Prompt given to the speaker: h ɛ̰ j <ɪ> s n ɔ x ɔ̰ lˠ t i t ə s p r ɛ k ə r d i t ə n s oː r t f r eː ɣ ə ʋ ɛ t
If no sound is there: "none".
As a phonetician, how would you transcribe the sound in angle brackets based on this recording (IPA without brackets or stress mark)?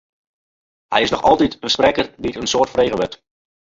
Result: ɪ